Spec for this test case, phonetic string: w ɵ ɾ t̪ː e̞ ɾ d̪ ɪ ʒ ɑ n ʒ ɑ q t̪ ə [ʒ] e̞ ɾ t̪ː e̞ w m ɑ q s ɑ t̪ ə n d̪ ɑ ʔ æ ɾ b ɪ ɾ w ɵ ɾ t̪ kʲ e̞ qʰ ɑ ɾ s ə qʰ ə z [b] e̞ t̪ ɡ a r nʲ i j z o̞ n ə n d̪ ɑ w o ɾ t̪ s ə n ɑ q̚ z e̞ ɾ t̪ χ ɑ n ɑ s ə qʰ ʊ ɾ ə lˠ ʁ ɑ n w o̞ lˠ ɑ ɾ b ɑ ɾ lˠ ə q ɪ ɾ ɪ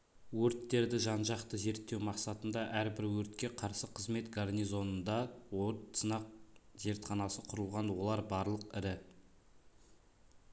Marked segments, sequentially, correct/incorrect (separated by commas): incorrect, incorrect